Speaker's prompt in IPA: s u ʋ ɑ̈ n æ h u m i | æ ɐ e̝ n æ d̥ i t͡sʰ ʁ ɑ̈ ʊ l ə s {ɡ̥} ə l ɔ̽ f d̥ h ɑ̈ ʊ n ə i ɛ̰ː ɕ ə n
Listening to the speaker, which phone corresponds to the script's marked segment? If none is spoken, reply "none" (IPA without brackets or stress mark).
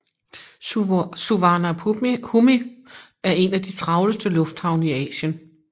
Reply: d̥